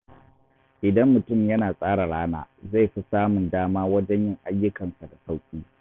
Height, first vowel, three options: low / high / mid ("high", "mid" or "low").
high